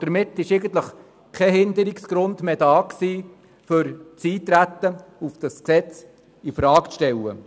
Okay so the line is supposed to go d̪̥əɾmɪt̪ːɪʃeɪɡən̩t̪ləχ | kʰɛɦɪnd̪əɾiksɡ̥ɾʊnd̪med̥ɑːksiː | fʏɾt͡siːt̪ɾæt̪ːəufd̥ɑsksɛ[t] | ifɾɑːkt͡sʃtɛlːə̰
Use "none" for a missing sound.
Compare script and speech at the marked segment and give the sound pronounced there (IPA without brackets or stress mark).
t͡s